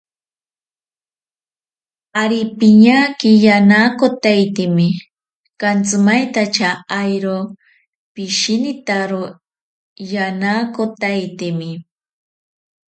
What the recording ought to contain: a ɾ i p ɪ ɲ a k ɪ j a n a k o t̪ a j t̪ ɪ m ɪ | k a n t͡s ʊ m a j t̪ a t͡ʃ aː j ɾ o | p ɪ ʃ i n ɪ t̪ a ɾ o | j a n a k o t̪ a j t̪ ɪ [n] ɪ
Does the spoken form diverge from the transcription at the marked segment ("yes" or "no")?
yes